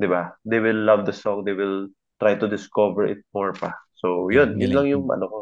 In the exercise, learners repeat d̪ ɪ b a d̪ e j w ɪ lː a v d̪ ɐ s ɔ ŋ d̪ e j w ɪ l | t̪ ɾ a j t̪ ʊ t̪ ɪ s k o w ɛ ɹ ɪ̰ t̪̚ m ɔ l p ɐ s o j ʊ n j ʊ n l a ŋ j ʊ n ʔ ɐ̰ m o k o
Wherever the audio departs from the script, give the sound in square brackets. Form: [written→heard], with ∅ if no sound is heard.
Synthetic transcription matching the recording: d̪ ɪ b a d̪ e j w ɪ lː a v d̪ ɐ s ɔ ŋ d̪ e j w ɪ l | t̪ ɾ a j t̪ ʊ [t̪→d̪] ɪ s k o [w→v] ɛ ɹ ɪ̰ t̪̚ m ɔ [l→ɹ] p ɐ s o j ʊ n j ʊ n l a ŋ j ʊ [n→ŋ] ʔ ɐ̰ [m→n] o k o